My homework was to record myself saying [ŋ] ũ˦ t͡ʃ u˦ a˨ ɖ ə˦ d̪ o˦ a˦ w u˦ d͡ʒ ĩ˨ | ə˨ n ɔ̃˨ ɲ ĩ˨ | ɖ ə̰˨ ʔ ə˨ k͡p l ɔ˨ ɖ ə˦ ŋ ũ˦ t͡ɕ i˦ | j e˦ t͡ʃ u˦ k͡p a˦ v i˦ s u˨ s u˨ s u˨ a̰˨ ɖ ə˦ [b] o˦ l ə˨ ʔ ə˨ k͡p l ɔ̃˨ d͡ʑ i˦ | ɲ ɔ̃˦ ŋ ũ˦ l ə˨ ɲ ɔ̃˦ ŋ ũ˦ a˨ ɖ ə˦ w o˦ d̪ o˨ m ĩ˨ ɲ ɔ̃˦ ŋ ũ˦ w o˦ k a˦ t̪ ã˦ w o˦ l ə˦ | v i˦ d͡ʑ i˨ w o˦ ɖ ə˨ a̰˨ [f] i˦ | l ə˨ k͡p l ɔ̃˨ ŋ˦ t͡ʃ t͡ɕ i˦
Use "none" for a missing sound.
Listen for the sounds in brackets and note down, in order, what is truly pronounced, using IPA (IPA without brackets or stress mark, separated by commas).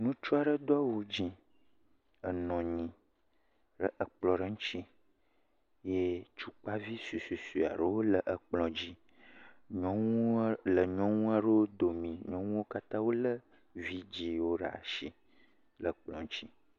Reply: n, w, ʃ